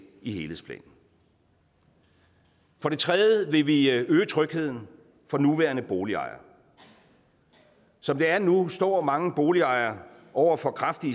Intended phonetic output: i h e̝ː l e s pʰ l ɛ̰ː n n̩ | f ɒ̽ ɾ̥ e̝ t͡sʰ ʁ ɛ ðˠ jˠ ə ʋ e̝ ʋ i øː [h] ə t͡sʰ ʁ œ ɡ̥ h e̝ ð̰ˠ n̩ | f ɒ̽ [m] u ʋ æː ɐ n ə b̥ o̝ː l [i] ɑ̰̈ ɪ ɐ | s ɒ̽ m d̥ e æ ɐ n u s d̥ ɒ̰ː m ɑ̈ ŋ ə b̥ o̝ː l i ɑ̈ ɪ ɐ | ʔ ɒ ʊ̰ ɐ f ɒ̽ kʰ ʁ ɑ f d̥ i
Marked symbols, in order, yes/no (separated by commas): no, no, yes